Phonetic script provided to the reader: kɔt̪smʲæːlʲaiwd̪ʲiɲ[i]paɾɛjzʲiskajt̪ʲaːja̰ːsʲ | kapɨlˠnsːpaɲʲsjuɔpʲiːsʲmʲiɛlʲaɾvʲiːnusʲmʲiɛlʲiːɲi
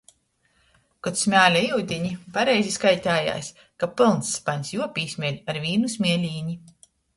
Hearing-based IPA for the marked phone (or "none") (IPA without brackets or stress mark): i